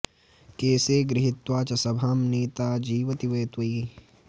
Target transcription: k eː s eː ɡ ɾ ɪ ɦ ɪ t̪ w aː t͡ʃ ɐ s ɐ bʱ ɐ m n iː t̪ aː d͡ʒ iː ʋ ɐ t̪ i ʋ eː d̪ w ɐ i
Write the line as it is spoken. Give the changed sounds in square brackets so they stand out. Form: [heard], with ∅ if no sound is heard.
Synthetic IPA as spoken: k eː s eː ɡ ɾ ɪ ɦ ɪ t̪ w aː t͡ʃ ɐ s ɐ bʱ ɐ m n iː t̪ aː d͡ʒ iː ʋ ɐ t̪ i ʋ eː [t̪] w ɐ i